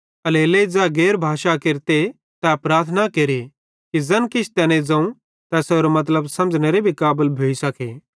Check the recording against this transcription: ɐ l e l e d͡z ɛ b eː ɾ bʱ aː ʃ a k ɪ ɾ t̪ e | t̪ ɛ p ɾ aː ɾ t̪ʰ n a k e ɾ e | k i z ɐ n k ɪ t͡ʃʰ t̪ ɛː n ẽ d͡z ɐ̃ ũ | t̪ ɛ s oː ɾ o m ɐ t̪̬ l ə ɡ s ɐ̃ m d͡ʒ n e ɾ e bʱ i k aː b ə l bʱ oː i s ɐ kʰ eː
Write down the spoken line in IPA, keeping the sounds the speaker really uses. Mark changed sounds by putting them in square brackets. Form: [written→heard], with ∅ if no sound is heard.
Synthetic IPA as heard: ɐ l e l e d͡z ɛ [b→ɡ] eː ɾ bʱ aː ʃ a k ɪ ɾ t̪ e | t̪ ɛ p ɾ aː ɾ t̪ʰ n a k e ɾ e | k i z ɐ n k ɪ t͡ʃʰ t̪ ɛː n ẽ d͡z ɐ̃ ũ | t̪ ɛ s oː ɾ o m ɐ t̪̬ l ə [ɡ→b] s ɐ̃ m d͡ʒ n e ɾ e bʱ i k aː b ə l bʱ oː i s ɐ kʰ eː